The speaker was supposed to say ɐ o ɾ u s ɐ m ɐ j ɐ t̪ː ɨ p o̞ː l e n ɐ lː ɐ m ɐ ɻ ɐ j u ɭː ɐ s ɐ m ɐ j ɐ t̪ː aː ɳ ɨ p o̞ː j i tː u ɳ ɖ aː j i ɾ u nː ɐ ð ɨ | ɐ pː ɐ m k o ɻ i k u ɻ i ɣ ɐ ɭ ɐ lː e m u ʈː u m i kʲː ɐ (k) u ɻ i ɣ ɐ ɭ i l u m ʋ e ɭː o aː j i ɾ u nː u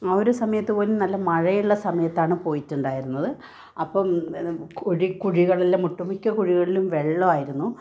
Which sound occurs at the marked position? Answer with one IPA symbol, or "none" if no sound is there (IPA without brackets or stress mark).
k